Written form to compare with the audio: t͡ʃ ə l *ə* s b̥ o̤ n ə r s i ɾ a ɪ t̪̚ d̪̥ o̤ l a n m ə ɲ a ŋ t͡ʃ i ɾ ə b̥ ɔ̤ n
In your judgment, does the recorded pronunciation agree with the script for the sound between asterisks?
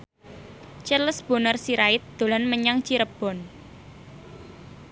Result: yes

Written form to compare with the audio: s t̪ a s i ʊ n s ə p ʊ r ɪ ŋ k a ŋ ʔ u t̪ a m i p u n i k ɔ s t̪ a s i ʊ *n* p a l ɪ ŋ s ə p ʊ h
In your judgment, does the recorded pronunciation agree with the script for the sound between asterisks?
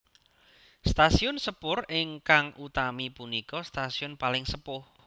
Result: yes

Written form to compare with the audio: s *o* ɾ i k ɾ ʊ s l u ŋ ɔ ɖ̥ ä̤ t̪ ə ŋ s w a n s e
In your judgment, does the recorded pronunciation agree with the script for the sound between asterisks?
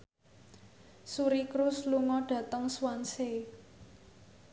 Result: no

